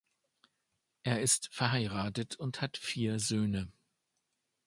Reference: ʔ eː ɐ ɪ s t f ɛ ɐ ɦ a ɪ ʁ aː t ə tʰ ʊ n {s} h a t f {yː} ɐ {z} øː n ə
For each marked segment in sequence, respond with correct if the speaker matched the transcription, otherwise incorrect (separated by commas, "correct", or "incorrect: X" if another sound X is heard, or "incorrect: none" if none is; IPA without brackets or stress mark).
incorrect: t, incorrect: iː, correct